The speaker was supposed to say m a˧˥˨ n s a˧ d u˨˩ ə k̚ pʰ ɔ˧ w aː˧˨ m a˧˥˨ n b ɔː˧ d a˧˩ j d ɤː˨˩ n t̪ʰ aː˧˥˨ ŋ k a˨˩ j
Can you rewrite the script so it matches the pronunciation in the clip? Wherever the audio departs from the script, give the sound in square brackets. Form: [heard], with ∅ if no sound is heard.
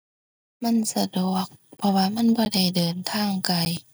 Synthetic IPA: m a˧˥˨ n s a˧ d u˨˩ ə k̚ pʰ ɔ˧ w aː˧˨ m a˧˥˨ n b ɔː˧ d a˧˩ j d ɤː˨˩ n t̪ʰ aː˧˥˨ ŋ k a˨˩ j